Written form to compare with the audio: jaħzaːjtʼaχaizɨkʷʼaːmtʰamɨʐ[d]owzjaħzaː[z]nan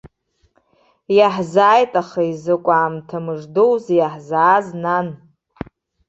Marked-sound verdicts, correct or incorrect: correct, correct

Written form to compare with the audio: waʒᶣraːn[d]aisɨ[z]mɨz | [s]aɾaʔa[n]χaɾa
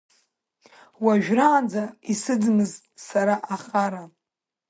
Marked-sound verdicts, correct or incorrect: incorrect, incorrect, correct, incorrect

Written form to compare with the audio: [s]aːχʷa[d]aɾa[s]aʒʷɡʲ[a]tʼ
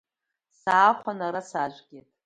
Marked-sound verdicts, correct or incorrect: correct, incorrect, correct, incorrect

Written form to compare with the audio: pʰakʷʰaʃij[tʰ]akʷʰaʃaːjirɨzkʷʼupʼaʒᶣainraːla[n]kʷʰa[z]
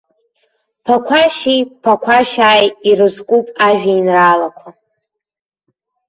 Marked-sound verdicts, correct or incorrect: incorrect, incorrect, incorrect

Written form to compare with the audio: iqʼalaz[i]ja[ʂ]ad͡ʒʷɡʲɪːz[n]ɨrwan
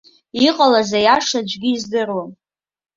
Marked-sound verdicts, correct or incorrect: incorrect, correct, incorrect

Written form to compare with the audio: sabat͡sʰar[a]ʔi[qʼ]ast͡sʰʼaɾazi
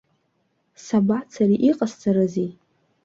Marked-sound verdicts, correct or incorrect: incorrect, correct

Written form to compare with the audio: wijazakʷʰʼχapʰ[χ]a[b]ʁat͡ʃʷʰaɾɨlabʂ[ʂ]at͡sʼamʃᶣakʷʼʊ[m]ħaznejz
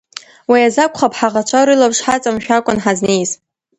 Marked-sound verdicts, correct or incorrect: incorrect, incorrect, incorrect, incorrect

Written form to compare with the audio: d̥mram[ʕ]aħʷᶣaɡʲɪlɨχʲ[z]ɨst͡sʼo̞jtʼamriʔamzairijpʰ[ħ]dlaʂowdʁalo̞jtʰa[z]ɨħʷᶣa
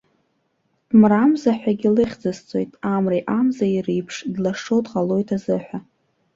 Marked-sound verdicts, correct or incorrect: incorrect, incorrect, incorrect, correct

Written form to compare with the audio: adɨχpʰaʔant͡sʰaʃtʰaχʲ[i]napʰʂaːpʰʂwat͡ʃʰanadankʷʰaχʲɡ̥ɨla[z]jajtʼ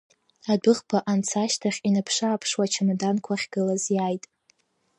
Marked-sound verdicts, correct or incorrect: correct, correct

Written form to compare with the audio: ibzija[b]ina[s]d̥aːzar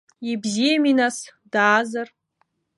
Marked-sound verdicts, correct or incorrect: incorrect, correct

